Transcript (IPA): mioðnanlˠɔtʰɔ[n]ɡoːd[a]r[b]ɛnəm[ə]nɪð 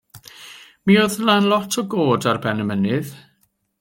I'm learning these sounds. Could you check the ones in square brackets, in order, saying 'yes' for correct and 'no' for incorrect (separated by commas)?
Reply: no, yes, yes, yes